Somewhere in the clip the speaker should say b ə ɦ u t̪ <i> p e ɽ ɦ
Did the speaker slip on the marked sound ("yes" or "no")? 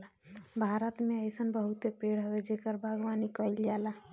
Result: yes